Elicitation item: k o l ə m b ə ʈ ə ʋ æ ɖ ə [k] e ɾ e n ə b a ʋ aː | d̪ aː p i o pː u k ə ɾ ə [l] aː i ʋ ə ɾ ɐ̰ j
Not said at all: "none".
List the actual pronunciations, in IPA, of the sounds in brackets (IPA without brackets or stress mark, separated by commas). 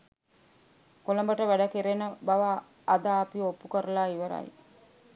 k, l